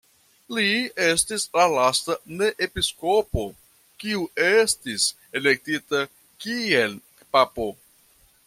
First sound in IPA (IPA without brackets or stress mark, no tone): l